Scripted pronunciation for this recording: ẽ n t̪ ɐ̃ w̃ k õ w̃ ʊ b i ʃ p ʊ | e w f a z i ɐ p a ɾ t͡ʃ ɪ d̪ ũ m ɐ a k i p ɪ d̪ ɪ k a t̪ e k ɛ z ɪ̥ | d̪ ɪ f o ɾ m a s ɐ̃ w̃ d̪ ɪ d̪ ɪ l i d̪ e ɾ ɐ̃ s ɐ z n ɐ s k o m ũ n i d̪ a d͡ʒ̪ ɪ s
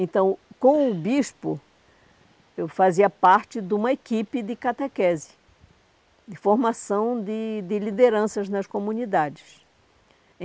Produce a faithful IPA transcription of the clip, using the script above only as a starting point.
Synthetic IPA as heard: ẽ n t̪ ɐ̃ w̃ k õ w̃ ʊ b i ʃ p ʊ | e w f a z i ɐ p a ɾ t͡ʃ ɪ d̪ ũ m ɐ e k i p ɪ d̪ ɪ k a t̪ e k ɛ z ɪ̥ | d̪ ɪ f o ɾ m a s ɐ̃ w̃ d̪ ɪ d̪ ɪ l i d̪ e ɾ ɐ̃ s ɐ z n ɐ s k o m ũ n i d̪ a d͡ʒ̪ ɪ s

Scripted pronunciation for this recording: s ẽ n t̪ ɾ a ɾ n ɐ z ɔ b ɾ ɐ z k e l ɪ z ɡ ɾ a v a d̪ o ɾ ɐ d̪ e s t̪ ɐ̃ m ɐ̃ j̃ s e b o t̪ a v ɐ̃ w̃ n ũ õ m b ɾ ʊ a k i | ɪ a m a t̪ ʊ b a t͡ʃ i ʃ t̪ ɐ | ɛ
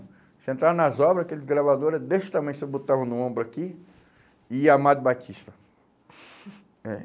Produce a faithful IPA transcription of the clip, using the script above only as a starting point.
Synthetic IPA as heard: s ẽ n t̪ ɾ a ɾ n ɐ z ɔ b ɾ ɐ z k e l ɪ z ɡ ɾ a v a d̪ o ɾ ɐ d̪ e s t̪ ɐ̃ m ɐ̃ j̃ s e b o t̪ a v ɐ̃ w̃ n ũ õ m b ɾ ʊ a k i | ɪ a m a d̪ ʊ b a t͡ʃ i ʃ t̪ ɐ | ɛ

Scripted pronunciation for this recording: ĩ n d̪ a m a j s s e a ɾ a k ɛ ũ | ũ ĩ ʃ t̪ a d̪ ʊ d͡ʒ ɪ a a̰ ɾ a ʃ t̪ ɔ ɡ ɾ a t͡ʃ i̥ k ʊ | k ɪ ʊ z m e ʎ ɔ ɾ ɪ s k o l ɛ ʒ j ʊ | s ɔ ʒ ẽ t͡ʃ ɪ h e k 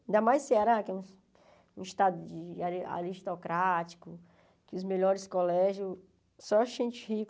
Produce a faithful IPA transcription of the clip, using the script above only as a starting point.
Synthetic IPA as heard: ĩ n d̪ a m a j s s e a ɾ a k ɛ ũ | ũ i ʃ t̪ a d̪ ʊ d͡ʒ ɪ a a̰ ɾ i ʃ t̪ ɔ k ɾ a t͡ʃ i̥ k ʊ | k ɪ ʊ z m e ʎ ɔ ɾ ɪ s k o l ɛ ʒ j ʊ | s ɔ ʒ ẽ t͡ʃ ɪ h i k

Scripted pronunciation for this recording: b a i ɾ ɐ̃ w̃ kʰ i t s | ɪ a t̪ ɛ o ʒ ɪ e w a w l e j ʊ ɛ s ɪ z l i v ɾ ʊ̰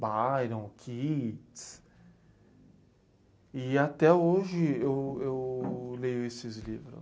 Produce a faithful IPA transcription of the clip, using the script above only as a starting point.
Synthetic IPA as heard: b a j ɾ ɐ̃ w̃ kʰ i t s | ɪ a t̪ ɛ o ʒ ɪ e w e w l e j ʊ e s ɪ z l i v ɾ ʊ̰

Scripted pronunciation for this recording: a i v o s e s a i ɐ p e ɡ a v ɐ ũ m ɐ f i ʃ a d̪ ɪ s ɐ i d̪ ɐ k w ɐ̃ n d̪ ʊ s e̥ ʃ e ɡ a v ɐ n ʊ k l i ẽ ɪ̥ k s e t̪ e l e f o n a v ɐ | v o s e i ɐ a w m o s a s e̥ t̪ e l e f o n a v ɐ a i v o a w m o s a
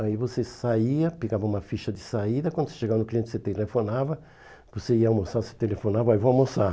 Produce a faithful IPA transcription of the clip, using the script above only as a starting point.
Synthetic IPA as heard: a i v o s e s a i ɐ p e ɡ a v ɐ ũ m ɐ f i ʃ ɐ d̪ ɪ s a i d̪ ɐ k w ɐ̃ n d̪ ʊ s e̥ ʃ e ɡ a v ɐ n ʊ k l i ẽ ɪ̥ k s e t̪ e l e f o n a v ɐ | v o s e i ɐ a w m o s a s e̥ t̪ e l e f o n a v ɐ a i v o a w m o s a

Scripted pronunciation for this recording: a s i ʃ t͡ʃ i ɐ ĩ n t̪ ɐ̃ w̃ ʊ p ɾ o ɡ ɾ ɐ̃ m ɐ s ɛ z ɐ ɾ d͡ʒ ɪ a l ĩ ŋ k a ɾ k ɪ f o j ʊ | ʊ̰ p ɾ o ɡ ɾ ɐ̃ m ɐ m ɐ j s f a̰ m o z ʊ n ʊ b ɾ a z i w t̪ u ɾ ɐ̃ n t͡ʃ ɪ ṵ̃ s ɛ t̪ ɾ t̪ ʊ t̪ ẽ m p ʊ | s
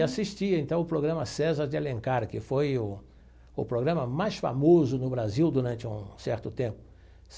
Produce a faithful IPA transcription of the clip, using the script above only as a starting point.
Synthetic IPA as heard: a s i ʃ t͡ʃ i ɐ ẽ n t̪ ɐ̃ w̃ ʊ p ɾ o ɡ ɾ ɐ̃ m ɐ s ɛ z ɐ ɾ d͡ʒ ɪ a l ẽ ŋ k a ɾ k ɪ f o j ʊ | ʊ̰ p ɾ o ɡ ɾ ɐ̃ m ɐ m a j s f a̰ m o z ʊ n ʊ b ɾ a z i w d̪ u ɾ ɐ̃ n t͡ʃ ɪ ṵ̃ s ɛ ɾ t̪ ʊ t̪ ẽ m p ʊ | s

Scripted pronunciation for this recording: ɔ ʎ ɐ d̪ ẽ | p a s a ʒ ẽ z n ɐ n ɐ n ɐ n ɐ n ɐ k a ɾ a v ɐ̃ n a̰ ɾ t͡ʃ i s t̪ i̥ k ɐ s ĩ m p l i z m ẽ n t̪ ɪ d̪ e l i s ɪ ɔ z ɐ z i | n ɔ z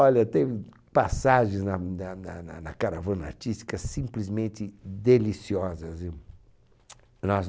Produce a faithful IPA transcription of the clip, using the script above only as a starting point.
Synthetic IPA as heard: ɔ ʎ ɐ t̪ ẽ | p a s a ʒ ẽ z n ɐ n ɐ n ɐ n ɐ n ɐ k a ɾ a v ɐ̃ n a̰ ɾ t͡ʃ i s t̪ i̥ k ɐ s ĩ m p l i z m ẽ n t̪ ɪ d̪ e l i s i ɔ z ɐ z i | n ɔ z

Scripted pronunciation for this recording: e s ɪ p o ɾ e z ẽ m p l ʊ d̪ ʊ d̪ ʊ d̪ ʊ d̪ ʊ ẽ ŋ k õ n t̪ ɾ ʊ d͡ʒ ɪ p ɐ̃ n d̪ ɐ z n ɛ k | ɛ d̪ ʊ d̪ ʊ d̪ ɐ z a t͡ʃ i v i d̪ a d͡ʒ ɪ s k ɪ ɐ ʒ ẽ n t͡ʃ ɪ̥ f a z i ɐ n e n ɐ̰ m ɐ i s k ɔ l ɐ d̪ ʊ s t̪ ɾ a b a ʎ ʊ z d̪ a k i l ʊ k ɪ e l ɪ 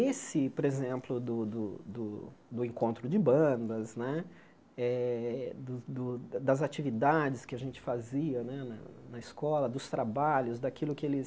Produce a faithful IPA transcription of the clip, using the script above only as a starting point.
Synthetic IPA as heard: e s ɪ p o ɾ e z ẽ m p l ʊ d̪ ʊ d̪ ʊ d̪ ʊ d̪ ʊ ẽ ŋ k õ n t̪ ɾ ʊ d͡ʒ ɪ b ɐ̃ n d̪ ɐ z n ɛ | ɛ d̪ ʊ d̪ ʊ d̪ ɐ z a t͡ʃ i v i d̪ a d͡ʒ ɪ s k ɪ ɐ ʒ ẽ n t͡ʃ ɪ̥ f a z i ɐ n ɛ n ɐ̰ n ɐ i s k ɔ l ɐ d̪ ʊ s t̪ ɾ a b a ʎ ʊ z d̪ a k i l ʊ k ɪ e l ɪ

